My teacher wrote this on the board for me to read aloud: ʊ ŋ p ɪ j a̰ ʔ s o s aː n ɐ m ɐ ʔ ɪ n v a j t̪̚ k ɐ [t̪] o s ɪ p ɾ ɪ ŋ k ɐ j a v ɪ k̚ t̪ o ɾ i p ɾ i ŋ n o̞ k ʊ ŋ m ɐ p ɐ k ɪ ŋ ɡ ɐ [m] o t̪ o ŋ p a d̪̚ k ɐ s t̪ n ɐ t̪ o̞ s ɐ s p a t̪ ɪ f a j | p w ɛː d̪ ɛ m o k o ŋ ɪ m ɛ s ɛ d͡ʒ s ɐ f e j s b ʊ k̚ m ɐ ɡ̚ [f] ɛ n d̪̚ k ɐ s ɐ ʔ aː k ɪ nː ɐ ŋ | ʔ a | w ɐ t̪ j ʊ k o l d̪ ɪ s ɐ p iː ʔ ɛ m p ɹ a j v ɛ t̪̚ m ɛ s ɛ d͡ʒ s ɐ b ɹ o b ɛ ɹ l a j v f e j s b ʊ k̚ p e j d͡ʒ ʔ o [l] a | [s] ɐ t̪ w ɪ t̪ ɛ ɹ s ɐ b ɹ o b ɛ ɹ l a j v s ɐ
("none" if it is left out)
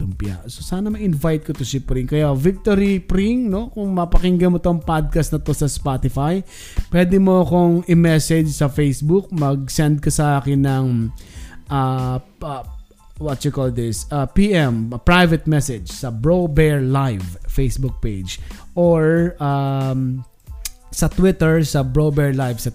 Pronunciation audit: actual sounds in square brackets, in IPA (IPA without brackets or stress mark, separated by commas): t̪, m, s, ɹ, s